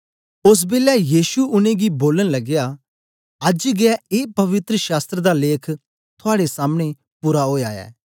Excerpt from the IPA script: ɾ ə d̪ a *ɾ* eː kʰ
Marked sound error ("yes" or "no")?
yes